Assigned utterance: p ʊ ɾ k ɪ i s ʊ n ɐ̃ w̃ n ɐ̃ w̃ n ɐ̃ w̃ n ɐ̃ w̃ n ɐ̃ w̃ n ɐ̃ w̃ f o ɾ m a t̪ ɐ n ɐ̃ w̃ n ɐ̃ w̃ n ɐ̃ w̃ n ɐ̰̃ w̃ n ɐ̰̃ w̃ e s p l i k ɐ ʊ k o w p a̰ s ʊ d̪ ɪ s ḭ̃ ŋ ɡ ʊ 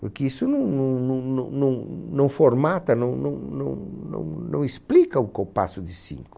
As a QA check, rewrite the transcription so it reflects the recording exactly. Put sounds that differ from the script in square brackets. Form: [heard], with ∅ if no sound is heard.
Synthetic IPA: p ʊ ɾ k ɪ i s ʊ n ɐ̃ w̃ n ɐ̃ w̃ n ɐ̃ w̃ n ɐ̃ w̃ n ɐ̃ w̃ n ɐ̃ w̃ f o ɾ m a t̪ ɐ n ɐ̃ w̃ n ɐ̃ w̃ n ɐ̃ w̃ n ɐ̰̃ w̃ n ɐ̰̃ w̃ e s p l i k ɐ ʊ k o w p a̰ s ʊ d̪ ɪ s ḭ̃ ŋ [k] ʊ